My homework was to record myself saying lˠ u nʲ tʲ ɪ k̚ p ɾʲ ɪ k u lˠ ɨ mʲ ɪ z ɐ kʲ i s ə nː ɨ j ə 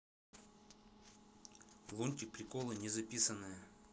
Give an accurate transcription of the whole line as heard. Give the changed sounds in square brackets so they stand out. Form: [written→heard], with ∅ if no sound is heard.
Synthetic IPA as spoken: lˠ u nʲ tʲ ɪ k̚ p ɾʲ ɪ k [u→o] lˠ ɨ [mʲ→nʲ] ɪ z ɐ [kʲ→pʲ] i s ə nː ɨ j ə